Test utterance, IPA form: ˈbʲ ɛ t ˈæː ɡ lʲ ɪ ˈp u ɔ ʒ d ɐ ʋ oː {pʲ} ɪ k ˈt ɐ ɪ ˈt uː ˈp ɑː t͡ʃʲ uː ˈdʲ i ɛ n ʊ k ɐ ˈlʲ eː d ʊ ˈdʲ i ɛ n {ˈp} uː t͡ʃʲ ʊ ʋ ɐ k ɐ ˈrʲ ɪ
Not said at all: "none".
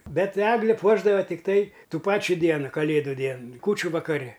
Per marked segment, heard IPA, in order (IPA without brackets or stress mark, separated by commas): tʲ, k